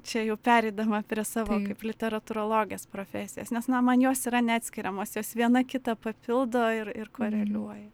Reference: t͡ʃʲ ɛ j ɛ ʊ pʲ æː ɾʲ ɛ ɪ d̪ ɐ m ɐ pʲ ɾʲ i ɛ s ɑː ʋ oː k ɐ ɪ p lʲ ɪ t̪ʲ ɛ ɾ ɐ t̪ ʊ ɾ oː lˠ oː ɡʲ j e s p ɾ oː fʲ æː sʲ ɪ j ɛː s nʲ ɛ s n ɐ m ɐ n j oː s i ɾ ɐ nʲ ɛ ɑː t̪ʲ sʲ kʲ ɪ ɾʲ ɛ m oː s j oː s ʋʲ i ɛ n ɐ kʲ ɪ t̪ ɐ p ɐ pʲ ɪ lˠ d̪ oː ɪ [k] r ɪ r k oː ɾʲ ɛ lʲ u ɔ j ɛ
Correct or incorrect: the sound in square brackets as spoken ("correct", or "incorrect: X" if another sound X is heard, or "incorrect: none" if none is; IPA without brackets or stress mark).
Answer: incorrect: none